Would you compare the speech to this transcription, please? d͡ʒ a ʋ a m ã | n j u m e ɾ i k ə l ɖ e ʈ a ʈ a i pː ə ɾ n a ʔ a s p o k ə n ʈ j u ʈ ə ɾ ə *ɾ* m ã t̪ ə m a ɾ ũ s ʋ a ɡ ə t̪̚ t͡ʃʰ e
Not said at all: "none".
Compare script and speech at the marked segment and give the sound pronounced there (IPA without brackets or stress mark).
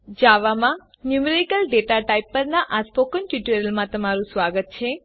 l